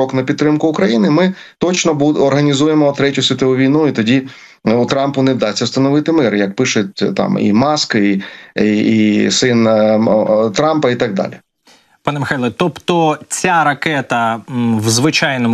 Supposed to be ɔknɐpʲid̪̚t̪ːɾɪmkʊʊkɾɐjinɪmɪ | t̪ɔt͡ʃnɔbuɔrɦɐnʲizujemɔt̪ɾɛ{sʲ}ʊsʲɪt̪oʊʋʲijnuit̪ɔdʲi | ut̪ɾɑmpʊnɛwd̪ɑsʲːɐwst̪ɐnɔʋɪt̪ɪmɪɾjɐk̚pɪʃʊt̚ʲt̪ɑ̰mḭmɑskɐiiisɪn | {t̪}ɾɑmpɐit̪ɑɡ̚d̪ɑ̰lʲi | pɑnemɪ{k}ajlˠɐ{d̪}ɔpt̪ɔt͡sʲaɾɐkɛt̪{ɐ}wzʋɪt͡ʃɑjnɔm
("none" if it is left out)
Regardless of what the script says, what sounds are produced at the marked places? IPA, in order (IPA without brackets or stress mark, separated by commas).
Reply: tʲ, t̪, x, t̪, ɐ